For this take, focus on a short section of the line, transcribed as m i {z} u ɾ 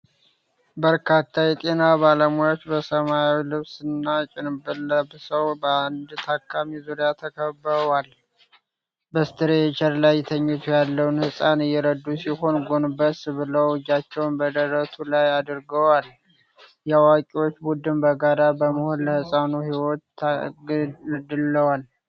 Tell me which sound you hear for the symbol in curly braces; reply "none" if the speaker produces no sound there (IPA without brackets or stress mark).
z